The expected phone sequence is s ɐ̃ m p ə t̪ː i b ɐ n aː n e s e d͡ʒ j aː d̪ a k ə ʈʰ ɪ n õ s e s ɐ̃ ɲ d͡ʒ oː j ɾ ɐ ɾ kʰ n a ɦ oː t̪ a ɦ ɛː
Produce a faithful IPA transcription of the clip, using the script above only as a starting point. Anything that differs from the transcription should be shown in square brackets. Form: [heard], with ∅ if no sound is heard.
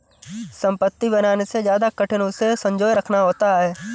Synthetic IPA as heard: s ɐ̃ m p ə t̪ː i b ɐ n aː n e s e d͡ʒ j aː d̪ a k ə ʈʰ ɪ n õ s e s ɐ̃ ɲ d͡ʒ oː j ɾ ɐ [∅] kʰ n a ɦ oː t̪ a ɦ ɛː